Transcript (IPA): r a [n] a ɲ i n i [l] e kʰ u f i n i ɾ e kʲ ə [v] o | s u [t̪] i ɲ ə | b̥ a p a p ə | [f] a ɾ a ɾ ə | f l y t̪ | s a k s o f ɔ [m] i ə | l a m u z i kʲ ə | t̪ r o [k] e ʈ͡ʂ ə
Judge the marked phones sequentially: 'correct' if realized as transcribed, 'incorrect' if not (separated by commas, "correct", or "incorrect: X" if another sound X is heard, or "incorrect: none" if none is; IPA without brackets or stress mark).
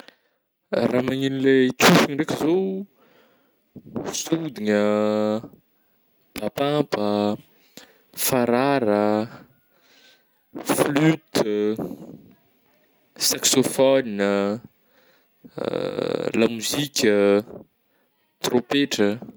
incorrect: m, correct, incorrect: z, incorrect: d̪, correct, incorrect: n, incorrect: p